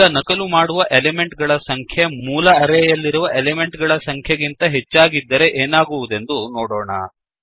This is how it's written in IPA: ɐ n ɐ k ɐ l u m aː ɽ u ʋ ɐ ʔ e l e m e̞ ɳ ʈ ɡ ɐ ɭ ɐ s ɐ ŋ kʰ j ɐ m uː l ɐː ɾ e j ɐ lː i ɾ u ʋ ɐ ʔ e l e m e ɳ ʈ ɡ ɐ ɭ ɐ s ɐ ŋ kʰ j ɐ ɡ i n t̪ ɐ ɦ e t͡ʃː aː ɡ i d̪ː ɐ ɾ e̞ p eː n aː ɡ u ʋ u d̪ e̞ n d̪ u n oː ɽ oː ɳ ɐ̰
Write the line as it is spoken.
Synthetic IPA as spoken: ɐ n ɐ k ɐ l u m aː ɽ u ʋ ɐ ʔ e l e m e̞ ɳ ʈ ɡ ɐ ɭ ɐ s ɐ ŋ kʰ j ɐ m uː l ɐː ɾ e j ɐ lː i ɾ u ʋ ɐ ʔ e l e m e ɳ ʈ ɡ ɐ ɭ ɐ s ɐ ŋ kʰ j ɐ ɡ i n t̪ ɐ ɦ e t͡ʃː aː ɡ i d̪ː ɐ ɾ e̞ ʔ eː n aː ɡ u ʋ u d̪ e̞ n d̪ u n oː ɽ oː ɳ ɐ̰